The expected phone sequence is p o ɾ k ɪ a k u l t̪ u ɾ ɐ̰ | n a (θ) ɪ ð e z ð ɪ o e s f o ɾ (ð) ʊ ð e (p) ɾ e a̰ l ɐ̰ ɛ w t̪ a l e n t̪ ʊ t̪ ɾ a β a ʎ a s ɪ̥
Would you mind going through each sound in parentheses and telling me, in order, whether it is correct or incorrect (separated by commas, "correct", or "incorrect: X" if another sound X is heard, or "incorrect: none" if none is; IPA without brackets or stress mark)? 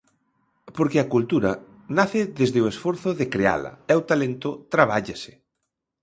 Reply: correct, incorrect: θ, incorrect: k